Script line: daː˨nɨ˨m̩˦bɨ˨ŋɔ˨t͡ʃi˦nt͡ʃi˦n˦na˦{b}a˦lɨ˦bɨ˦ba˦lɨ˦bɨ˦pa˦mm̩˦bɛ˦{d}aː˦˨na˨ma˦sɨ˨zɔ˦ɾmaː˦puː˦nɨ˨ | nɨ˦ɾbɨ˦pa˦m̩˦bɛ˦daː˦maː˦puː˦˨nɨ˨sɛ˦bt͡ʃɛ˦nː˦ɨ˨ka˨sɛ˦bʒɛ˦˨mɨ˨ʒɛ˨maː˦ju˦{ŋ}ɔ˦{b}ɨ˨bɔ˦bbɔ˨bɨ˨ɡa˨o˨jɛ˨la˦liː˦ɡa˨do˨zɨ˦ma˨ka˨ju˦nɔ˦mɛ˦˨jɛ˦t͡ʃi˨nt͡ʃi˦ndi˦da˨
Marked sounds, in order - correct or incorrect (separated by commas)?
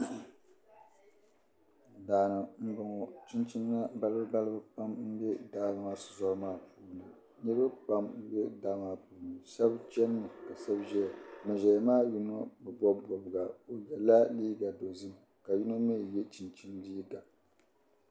correct, correct, incorrect, correct